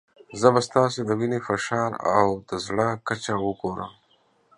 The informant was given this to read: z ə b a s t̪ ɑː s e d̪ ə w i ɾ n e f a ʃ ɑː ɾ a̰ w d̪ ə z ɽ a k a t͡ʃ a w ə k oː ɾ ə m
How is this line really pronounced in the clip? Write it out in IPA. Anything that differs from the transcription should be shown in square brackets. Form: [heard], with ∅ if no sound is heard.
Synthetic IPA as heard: z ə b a s t̪ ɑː s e d̪ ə w i [∅] n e f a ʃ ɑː ɾ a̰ w d̪ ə z ɽ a k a t͡ʃ a w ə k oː ɾ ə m